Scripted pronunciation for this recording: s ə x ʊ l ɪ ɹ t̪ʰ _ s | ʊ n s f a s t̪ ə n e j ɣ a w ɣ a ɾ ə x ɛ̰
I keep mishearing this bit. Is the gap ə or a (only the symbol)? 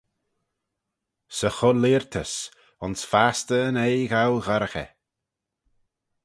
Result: ə